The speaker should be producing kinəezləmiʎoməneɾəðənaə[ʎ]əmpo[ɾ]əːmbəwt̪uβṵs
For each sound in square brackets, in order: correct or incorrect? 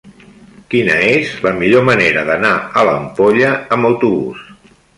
incorrect: l, incorrect: ʎ

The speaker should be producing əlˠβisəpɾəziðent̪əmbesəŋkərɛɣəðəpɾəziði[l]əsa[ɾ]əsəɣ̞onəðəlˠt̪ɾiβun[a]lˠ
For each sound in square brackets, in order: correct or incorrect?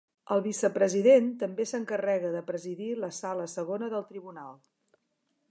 correct, incorrect: l, correct

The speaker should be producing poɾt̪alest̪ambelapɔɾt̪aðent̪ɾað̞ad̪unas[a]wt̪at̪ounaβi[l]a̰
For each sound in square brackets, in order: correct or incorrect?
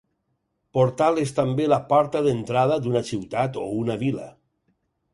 incorrect: i, correct

